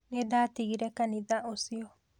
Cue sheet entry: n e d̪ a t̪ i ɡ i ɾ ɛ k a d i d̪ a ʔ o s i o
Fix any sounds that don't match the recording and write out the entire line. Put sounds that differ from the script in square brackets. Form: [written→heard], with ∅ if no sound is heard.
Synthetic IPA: n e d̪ a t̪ i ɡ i ɾ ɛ k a [d→n] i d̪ a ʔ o s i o